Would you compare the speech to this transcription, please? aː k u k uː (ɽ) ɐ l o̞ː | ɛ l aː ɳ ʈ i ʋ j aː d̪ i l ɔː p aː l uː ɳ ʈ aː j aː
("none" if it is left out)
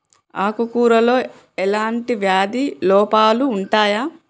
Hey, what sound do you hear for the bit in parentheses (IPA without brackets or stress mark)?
ɾ